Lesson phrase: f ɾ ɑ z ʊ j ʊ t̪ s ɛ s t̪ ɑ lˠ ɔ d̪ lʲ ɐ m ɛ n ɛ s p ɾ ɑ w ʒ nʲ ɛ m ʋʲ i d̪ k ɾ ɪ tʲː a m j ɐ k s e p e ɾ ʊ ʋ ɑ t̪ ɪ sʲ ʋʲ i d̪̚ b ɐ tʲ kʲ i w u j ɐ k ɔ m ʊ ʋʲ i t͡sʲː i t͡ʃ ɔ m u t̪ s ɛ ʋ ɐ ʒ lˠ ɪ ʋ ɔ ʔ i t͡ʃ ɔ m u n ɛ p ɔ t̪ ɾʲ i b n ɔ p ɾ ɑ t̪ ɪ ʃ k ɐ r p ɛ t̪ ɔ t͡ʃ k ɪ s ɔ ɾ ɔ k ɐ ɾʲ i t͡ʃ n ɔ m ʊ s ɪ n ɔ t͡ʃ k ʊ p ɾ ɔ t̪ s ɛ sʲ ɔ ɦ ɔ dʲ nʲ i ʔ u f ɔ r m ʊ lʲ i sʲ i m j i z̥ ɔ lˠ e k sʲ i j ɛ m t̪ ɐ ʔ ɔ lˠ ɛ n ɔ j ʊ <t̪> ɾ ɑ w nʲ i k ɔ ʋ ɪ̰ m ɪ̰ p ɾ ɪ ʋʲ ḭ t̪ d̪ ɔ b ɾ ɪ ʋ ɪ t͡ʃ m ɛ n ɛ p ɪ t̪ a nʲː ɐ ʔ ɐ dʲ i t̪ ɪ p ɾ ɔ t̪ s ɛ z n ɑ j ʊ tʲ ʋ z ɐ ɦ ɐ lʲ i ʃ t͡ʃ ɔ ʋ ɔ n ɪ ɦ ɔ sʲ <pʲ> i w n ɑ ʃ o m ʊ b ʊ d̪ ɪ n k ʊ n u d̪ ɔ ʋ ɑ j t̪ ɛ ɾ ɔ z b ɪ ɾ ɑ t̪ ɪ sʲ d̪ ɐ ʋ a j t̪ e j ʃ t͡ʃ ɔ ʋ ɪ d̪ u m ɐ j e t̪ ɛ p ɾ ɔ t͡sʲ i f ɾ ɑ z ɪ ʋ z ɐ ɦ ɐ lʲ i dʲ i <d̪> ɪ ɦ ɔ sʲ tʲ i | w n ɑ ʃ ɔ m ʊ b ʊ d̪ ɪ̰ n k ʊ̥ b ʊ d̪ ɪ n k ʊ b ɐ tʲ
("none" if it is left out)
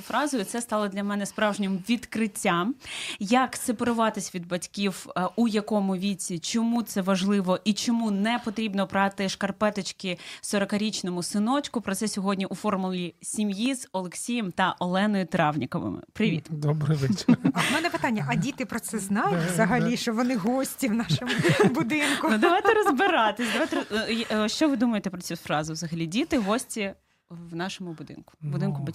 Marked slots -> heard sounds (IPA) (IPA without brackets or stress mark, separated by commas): t̪, tʲ, t̪